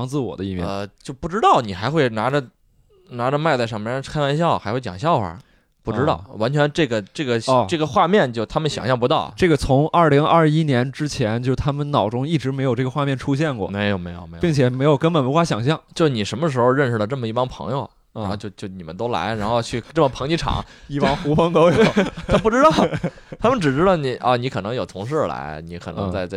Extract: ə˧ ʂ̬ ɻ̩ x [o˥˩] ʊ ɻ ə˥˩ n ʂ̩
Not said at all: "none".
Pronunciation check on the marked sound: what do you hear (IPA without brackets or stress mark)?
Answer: o˧